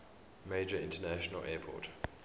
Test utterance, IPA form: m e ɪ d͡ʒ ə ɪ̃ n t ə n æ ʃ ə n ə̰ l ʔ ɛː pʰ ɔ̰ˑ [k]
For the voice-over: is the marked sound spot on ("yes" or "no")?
no